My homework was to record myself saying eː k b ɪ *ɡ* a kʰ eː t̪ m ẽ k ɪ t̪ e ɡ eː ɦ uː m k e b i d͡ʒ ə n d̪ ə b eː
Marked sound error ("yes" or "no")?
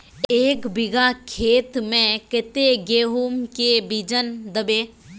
no